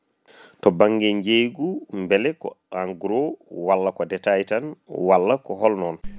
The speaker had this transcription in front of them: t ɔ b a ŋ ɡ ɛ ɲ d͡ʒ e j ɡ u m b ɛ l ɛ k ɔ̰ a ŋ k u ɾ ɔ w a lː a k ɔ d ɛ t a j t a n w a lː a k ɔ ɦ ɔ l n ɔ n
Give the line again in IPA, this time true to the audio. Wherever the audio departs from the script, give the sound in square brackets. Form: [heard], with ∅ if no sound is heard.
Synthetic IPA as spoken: t ɔ b a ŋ ɡ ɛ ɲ d͡ʒ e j ɡ u m b ɛ l ɛ k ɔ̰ a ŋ [ɡ] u ɾ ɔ w a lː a k ɔ d ɛ t a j t a n w a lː a k ɔ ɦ ɔ l n ɔ n